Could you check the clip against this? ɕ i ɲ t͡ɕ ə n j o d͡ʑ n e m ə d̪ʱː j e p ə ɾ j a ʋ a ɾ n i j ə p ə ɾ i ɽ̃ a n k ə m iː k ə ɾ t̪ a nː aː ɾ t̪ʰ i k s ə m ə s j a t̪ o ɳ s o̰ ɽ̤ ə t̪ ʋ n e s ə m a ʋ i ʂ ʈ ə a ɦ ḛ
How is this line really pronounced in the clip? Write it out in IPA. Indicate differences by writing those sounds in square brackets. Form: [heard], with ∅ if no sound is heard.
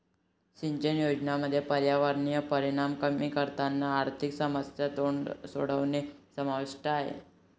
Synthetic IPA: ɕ i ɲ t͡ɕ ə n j o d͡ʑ n [a] m ə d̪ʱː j e p ə ɾ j a ʋ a ɾ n i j ə p ə ɾ i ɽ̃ a [m] k ə m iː k ə ɾ t̪ a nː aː ɾ t̪ʰ i k s ə m ə s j a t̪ o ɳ s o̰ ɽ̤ ə [∅] ʋ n e s ə m a ʋ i ʂ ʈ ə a ɦ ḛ

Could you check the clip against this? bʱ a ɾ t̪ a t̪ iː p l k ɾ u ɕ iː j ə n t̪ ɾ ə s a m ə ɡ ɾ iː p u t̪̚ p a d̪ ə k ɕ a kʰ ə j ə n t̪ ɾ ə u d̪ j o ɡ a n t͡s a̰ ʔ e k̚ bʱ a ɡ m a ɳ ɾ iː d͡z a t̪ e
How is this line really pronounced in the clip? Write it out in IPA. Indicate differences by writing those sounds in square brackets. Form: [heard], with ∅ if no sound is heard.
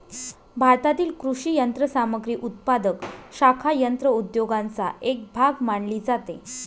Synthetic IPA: bʱ a ɾ t̪ a t̪ iː [∅] l k ɾ u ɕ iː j ə n t̪ ɾ ə s a m ə ɡ ɾ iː [ʔ] u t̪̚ p a d̪ ə k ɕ a kʰ [a] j ə n t̪ ɾ ə u d̪ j o ɡ a n t͡s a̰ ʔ e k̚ bʱ a ɡ m a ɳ [l] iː d͡z a t̪ e

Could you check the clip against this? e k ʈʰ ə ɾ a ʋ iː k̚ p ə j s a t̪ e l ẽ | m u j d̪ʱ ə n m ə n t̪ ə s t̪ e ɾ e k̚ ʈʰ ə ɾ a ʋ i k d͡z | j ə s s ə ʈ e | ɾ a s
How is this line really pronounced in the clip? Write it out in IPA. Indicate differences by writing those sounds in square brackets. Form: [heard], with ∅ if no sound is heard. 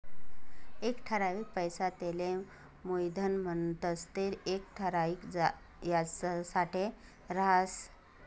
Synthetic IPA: e k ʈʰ ə ɾ a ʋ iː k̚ p ə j s a t̪ e l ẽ | m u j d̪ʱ ə n m ə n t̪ ə s t̪ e ɾ e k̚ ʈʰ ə ɾ a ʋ i k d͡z | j [a] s s [a] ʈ e | ɾ a s

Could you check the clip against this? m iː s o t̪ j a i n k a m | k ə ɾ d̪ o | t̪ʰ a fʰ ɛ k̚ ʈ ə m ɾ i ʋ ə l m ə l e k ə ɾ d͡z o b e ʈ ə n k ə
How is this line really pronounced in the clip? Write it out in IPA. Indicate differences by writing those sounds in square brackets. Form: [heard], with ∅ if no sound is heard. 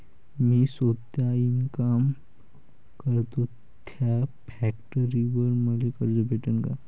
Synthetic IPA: m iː s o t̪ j a i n k a m | k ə ɾ [t̪] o | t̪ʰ a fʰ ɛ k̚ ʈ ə [∅] ɾ i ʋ ə [ɾ] m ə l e k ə ɾ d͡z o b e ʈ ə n k [a]

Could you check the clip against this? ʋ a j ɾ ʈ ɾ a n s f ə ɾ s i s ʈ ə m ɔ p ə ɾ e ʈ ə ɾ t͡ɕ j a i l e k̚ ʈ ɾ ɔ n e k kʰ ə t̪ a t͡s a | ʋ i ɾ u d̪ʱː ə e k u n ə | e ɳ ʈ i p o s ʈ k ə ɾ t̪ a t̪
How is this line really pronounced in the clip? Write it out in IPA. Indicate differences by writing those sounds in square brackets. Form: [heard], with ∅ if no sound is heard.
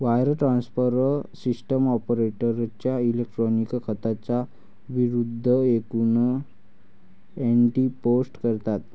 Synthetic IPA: ʋ a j ɾ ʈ ɾ a n s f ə ɾ s i s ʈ ə m ɔ p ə ɾ e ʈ ə ɾ t͡ɕ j a i l e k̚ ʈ ɾ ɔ n [i] k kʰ ə t̪ a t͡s a | ʋ i ɾ u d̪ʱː ə e k u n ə | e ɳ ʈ i p o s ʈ k ə ɾ t̪ a t̪

